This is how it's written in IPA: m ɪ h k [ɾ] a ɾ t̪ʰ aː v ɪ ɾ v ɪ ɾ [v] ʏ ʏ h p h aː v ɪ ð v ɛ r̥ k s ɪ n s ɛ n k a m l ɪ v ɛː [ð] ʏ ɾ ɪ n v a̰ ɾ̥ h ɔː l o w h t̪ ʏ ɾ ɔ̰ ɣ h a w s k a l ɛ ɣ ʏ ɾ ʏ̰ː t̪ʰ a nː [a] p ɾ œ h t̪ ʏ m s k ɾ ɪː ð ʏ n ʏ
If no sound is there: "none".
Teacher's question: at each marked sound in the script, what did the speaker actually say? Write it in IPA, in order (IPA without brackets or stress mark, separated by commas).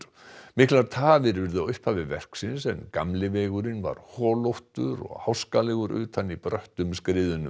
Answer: l, ð, ɣ, i